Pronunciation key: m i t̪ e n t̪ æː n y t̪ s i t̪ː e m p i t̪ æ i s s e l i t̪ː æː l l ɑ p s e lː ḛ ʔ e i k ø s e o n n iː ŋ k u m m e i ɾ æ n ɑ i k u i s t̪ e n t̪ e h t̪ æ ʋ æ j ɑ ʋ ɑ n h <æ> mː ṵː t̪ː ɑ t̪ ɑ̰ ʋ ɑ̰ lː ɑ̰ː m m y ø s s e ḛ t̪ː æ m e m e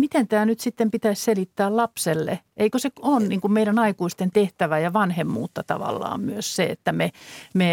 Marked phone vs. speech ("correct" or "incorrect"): incorrect